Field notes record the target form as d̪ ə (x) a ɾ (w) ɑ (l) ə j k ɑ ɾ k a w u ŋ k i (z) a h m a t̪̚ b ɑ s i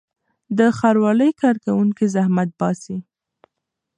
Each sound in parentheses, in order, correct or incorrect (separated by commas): correct, correct, correct, correct